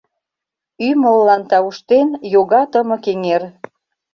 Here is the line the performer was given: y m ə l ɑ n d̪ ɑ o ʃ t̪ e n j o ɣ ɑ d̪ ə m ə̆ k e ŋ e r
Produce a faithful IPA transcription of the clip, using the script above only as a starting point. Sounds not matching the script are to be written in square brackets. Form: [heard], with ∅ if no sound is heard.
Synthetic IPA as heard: y m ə [lː] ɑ n [t̪] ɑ [u] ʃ t̪ e n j o ɣ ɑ [t̪] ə m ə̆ k e ŋ e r